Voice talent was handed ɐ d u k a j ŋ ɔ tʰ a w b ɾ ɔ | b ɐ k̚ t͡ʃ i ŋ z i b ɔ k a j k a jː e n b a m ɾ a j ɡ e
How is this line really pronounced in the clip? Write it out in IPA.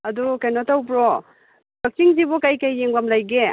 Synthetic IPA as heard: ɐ d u k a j n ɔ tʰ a w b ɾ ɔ | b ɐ k̚ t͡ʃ i ŋ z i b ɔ k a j k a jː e ŋ b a m l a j ɡ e